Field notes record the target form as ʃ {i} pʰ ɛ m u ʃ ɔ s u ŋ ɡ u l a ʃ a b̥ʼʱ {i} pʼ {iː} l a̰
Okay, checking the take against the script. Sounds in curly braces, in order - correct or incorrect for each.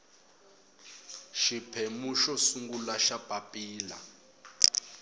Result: correct, incorrect: a, correct

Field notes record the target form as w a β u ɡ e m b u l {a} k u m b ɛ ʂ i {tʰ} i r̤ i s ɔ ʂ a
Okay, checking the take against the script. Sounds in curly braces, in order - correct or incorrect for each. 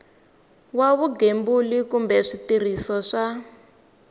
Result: incorrect: i, incorrect: t

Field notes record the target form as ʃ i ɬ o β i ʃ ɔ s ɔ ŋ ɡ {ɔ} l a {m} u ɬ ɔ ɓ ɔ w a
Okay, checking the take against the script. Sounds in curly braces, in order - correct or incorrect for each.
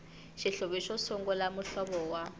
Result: correct, correct

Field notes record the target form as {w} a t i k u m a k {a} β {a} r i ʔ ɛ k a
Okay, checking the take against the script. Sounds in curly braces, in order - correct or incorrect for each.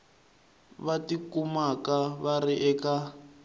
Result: incorrect: β, correct, correct

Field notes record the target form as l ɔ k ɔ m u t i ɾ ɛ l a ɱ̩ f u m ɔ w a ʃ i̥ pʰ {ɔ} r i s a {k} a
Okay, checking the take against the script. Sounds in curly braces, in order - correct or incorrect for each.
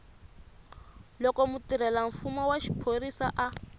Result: incorrect: o, incorrect: ʔ

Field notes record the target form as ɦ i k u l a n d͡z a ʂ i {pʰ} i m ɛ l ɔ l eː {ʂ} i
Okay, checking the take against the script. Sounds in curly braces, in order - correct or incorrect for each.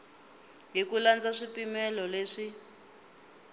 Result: incorrect: p, correct

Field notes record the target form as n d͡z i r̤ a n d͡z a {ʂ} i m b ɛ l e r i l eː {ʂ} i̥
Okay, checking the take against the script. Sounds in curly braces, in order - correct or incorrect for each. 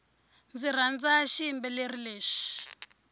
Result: incorrect: ʃ, incorrect: ʃ

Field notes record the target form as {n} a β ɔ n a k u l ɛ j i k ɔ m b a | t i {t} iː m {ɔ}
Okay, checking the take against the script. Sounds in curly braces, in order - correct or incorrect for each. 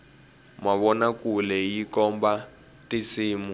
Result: incorrect: m, incorrect: s, incorrect: u

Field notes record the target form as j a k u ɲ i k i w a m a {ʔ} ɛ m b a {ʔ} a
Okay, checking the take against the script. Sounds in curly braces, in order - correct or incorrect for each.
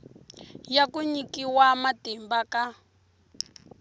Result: incorrect: t, incorrect: k

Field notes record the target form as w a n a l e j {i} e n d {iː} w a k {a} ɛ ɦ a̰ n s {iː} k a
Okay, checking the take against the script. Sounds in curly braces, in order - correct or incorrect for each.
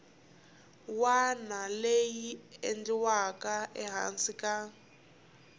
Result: correct, incorrect: i, correct, incorrect: i

